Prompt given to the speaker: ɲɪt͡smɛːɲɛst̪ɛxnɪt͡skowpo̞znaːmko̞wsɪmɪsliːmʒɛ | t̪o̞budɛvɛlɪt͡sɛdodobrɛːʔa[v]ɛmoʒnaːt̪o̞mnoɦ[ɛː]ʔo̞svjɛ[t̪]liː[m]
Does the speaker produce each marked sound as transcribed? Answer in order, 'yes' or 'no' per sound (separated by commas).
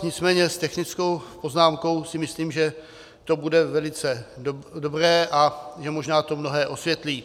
no, yes, yes, no